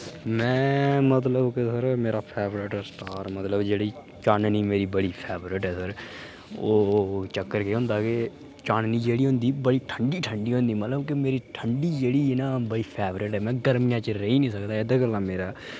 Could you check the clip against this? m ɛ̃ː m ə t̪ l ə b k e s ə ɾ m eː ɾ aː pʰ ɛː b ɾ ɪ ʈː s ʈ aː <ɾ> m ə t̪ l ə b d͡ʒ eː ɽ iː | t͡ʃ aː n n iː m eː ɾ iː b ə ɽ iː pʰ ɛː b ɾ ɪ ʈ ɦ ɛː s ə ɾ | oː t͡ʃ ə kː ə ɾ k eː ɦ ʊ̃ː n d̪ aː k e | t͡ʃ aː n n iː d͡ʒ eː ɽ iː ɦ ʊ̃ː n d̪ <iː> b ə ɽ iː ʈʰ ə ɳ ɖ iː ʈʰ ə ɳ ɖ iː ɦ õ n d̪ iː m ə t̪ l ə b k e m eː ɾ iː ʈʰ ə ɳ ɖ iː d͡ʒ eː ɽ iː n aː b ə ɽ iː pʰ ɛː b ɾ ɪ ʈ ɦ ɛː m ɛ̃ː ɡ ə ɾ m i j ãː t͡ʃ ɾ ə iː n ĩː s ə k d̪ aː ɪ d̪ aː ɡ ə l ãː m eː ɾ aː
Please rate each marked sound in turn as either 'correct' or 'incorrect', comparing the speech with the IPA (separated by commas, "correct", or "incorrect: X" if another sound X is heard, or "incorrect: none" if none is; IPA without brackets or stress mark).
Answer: correct, correct